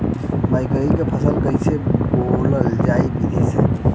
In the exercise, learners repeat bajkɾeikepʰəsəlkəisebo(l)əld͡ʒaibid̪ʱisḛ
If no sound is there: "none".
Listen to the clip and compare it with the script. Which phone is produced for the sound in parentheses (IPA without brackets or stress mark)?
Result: l